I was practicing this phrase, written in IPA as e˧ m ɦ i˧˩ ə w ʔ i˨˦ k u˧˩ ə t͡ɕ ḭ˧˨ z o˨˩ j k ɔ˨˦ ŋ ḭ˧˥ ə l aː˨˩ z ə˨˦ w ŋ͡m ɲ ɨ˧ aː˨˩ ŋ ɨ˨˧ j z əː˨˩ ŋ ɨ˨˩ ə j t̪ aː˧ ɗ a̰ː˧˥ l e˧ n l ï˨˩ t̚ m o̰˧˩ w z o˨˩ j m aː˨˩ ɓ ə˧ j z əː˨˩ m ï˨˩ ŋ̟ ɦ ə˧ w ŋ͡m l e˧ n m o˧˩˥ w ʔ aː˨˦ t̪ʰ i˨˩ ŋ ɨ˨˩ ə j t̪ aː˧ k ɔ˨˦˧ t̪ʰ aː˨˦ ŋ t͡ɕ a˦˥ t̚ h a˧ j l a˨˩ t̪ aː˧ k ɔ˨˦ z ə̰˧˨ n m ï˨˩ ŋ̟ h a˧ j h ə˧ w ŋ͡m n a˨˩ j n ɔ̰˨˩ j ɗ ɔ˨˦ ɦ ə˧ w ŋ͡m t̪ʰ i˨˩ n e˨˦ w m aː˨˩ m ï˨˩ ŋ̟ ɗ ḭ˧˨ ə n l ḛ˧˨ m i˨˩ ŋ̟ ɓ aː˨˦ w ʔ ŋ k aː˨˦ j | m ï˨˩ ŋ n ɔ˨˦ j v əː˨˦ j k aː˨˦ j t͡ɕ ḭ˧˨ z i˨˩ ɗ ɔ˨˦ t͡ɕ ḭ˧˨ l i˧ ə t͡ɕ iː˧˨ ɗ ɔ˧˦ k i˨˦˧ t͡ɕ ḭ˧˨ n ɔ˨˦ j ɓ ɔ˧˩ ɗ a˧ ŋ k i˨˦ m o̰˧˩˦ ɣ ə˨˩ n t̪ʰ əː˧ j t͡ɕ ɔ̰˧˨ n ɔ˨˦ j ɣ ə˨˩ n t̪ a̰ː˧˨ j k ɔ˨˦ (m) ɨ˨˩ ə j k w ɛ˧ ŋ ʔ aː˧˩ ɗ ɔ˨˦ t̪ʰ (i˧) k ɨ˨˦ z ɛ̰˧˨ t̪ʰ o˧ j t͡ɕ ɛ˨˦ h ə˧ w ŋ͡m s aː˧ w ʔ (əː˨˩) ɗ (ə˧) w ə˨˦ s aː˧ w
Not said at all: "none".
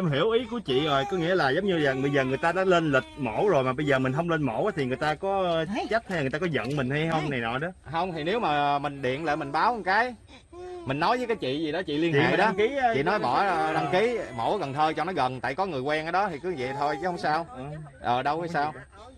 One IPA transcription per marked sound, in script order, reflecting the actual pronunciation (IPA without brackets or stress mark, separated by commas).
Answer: ŋ, i˨˩, əː˨˩, ə˧